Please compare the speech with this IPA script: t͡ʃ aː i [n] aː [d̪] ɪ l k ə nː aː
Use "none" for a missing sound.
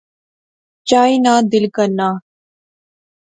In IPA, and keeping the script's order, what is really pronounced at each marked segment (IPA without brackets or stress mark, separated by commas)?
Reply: n, d̪